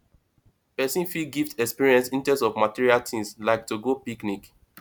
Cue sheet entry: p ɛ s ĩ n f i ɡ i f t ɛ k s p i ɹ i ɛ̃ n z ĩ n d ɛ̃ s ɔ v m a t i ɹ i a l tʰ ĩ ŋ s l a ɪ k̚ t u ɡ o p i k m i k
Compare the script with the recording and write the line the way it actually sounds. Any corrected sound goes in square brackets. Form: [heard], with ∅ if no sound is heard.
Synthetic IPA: p ɛ s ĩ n f i ɡ i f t ɛ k s p i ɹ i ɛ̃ n [s] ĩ n [t] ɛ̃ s ɔ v m a t i ɹ i a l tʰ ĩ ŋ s l a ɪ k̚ t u ɡ o p i k [n] i k